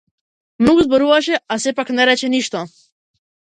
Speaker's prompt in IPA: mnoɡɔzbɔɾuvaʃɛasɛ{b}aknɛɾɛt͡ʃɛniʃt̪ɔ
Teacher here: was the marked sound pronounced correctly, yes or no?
no